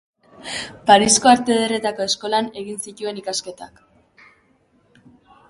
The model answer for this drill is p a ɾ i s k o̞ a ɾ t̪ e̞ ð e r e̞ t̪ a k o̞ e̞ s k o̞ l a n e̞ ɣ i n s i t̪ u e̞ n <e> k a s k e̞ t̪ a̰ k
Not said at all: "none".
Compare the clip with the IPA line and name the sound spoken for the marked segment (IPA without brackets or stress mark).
i